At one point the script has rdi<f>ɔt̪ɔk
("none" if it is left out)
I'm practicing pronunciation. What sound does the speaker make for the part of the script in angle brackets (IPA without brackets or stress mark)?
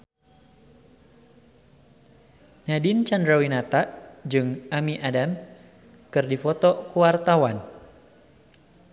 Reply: f